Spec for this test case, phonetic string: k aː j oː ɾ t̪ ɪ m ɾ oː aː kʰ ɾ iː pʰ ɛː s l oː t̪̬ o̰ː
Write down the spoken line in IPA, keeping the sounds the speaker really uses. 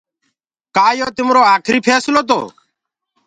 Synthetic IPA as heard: k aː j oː t̪ ɪ m ɾ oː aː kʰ ɾ iː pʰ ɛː s l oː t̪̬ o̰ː